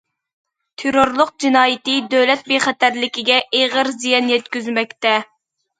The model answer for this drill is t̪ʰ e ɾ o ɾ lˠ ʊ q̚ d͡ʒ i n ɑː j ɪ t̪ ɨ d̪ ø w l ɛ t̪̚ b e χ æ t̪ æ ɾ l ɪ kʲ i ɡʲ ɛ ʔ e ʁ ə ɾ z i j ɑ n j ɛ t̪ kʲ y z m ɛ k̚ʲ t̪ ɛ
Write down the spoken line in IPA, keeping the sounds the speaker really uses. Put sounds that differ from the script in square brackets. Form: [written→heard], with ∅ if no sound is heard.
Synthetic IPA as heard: t̪ʰ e ɾ o ɾ lˠ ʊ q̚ d͡ʒ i n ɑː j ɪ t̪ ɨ d̪ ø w l ɛ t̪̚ b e χ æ t̪ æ ɾ l ɪ kʲ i ɡʲ ɛ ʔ e ʁ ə ɾ z i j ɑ n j ɛ t̪ kʲ y z m ɛ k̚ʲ t̪ ɛ